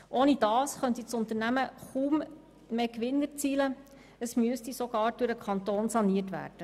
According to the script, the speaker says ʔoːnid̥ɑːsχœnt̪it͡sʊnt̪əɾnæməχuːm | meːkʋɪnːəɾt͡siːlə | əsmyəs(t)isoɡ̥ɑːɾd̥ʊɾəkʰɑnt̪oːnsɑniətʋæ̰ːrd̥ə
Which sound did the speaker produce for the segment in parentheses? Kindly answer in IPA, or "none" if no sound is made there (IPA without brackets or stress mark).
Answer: t